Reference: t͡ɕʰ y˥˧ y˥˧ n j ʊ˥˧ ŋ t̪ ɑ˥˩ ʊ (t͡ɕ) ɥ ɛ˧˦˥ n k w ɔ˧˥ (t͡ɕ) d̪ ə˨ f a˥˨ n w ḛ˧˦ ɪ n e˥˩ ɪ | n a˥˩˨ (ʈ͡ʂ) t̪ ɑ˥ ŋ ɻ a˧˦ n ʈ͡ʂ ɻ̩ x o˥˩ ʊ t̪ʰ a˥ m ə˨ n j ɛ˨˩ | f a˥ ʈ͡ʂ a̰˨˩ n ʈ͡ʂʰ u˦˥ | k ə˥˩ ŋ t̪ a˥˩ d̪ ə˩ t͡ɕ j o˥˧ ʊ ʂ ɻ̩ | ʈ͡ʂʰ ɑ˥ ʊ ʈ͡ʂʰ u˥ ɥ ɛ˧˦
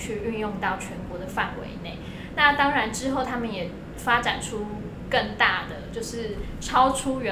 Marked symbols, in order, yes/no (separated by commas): no, no, no